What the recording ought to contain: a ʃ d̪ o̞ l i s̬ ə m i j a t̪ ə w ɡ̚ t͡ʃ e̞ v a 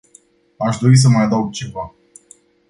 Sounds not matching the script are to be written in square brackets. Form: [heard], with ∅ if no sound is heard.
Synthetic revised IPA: a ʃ d̪ o̞ [ɾ] i s̬ ə m [a] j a [d̪] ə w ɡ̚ t͡ʃ e̞ v a